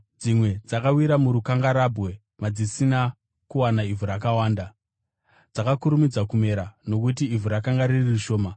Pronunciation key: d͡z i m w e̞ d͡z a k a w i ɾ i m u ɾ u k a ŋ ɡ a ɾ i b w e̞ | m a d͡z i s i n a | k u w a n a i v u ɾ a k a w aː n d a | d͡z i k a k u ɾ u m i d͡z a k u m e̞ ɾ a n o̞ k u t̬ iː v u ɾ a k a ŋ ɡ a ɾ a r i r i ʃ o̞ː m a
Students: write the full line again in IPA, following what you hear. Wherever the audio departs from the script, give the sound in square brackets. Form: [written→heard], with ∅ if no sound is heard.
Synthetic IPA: d͡z i m w e̞ d͡z a k a w i ɾ [i→a] m u ɾ u k a ŋ ɡ a ɾ [i→a] b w e̞ | m a d͡z i s i n a | k u w a n a i v u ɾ a k a w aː n d a | d͡z [i→a] k a k u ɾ u m i d͡z a k u m e̞ ɾ a n o̞ k u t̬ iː v u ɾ a k a ŋ ɡ a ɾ [a→i] r i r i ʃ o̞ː m a